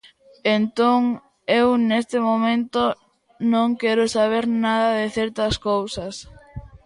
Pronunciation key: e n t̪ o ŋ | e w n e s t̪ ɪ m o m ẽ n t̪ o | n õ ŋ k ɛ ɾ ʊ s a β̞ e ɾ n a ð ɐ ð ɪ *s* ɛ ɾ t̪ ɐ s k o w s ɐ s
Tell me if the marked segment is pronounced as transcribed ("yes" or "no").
no